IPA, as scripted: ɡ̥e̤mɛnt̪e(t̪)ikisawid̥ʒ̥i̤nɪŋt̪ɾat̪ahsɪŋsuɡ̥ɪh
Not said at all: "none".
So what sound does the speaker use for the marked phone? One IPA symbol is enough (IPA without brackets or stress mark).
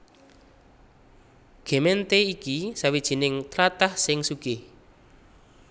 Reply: none